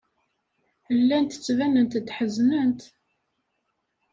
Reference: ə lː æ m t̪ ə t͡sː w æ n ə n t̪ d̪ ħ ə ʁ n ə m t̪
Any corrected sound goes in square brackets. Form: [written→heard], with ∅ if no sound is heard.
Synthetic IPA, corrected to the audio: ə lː æ [m→n] t̪ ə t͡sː [w→v] æ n ə n t̪ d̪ ħ ə [ʁ→z] n ə [m→n] t̪